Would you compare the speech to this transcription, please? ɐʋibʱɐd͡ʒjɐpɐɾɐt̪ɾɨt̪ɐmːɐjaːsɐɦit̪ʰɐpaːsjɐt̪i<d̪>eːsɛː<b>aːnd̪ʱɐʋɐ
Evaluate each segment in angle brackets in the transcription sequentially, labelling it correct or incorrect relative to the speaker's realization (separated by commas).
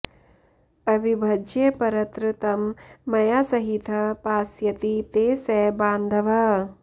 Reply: incorrect, correct